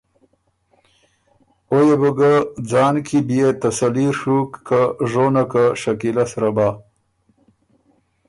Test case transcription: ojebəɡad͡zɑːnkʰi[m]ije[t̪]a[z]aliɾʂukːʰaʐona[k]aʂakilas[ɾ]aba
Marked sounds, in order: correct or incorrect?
incorrect: b, correct, incorrect: s, correct, correct

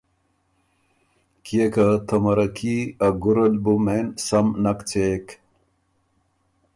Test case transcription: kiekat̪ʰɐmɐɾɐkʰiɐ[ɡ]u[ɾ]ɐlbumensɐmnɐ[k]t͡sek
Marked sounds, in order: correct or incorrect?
correct, correct, correct

